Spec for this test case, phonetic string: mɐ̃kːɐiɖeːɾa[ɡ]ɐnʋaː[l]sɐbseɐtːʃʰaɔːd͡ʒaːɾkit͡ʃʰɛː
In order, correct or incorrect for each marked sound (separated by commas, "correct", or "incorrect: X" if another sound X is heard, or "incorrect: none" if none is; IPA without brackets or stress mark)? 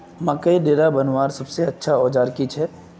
incorrect: b, incorrect: ɾ